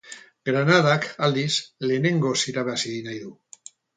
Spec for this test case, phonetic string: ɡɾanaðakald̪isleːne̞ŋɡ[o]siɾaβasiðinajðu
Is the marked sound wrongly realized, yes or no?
no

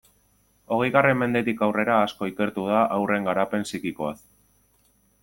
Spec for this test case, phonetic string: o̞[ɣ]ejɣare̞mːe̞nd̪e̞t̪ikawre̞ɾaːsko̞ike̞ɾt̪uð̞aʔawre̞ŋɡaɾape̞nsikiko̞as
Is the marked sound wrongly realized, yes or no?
no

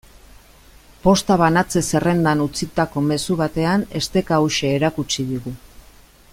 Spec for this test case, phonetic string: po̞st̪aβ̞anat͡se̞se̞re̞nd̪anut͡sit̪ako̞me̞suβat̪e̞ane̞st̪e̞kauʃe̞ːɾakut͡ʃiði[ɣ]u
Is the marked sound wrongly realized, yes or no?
no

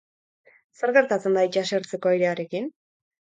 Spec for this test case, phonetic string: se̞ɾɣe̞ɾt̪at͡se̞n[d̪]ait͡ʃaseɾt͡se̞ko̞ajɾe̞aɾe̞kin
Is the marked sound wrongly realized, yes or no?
no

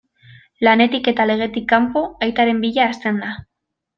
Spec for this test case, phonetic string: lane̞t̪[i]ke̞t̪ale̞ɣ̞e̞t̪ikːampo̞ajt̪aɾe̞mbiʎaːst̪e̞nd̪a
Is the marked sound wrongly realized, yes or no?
no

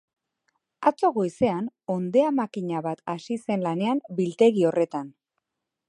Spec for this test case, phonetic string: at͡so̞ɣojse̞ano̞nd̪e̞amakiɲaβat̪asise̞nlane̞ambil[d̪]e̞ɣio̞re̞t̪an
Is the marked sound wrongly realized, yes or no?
yes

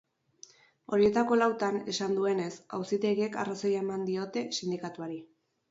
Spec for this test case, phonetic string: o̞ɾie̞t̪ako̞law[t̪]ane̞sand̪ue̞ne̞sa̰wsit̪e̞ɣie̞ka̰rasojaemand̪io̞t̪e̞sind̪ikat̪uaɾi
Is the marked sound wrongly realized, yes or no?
no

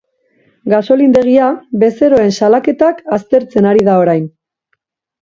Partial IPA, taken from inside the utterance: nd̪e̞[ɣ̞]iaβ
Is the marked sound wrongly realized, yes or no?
no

